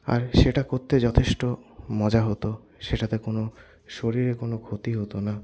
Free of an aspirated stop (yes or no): no